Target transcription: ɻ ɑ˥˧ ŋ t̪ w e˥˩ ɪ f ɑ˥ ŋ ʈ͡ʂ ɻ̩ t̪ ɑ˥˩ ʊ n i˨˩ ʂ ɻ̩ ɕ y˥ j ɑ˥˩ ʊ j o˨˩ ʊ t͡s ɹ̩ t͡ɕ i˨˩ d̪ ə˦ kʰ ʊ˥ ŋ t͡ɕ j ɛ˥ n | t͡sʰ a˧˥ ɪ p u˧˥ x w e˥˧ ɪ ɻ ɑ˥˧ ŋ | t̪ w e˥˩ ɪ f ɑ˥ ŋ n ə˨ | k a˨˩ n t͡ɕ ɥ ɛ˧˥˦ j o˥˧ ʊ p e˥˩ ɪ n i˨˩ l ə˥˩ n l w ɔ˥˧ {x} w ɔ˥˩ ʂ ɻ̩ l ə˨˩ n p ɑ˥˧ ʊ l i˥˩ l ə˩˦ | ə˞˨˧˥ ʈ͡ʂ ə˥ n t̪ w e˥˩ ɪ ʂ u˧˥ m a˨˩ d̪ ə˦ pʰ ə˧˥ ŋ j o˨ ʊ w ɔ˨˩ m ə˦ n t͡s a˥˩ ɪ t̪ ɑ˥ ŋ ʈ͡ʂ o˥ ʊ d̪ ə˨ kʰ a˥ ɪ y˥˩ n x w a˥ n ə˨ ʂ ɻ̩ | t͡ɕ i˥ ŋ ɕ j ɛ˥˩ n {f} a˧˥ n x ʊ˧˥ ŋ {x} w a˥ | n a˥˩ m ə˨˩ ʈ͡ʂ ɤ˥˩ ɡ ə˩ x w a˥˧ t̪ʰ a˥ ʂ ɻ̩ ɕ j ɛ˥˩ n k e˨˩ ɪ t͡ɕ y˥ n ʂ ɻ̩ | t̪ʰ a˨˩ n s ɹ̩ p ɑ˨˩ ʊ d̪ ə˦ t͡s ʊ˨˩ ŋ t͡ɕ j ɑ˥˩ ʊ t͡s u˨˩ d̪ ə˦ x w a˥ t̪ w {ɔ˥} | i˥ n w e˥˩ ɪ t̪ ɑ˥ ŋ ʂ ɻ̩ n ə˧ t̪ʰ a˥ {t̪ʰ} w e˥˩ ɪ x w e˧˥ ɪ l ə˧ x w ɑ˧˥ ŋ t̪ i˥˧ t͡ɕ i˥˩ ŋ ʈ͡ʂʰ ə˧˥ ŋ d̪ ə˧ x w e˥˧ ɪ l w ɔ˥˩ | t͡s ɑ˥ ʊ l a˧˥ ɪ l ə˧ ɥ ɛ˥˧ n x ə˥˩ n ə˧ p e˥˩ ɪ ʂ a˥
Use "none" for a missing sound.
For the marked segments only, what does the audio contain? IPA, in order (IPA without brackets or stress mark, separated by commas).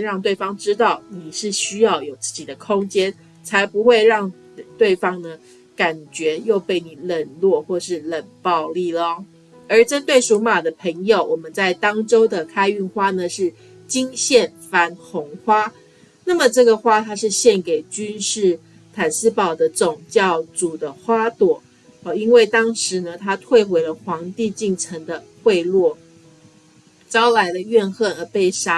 x, f, x, ɔ˨˩˦, t̪ʰ